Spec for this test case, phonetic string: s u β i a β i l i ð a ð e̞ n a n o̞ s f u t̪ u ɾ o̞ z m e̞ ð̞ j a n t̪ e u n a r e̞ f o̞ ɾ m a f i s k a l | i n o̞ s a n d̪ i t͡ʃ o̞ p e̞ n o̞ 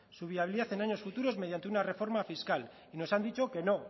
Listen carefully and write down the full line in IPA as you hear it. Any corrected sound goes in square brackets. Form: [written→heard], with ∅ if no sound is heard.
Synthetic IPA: s u β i a β i l i ð a [ð→θ] e̞ n a [n→ɲ] o̞ s f u t̪ u ɾ o̞ z m e̞ ð̞ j a n t̪ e u n a r e̞ f o̞ ɾ m a f i s k a l | i n o̞ s a n d̪ i t͡ʃ o̞ [p→k] e̞ n o̞

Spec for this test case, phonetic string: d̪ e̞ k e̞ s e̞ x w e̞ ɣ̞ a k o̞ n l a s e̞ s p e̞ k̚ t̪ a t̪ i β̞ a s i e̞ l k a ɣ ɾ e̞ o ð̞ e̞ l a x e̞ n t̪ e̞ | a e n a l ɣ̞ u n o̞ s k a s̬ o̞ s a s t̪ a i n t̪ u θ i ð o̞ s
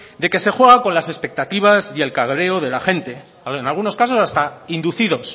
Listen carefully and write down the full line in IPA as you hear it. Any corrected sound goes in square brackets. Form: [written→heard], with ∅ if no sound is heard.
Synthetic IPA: d̪ e̞ k e̞ s e̞ x w e̞ ɣ̞ a k o̞ n l a s e̞ s p e̞ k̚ t̪ a t̪ i β̞ a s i e̞ l k a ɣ ɾ e̞ o ð̞ e̞ l a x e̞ n t̪ e̞ | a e n a l ɣ̞ u n o̞ s k a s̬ o̞ s a s t̪ a i n [t̪→d̪] u θ i ð o̞ s

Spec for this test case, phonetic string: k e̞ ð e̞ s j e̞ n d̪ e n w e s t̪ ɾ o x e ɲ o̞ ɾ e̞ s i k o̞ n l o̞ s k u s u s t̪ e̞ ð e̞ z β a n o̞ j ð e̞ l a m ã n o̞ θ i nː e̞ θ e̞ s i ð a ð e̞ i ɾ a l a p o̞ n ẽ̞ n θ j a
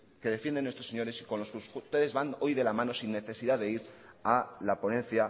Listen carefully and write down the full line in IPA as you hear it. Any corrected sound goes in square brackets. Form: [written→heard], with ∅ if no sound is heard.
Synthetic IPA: k e̞ ð e̞ [s→f] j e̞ n d̪ e n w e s t̪ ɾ o [x→s] e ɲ o̞ ɾ e̞ s i k o̞ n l o̞ s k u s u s t̪ e̞ ð e̞ z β a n o̞ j ð e̞ l a m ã n o̞ [θ→s] i nː e̞ θ e̞ s i ð a ð e̞ i ɾ a l a p o̞ n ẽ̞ n θ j a

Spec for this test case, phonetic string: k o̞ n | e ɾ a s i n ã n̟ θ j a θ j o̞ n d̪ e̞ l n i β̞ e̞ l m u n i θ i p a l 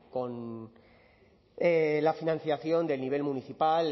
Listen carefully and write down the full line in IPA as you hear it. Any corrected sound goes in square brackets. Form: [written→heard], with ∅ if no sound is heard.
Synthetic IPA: k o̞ n | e [ɾ→l] a [s→f] i n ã n̟ θ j a θ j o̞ n d̪ e̞ l n i β̞ e̞ l m u n i θ i p a l

